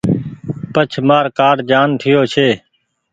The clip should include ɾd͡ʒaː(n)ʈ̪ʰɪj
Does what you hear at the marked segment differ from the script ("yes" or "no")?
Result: no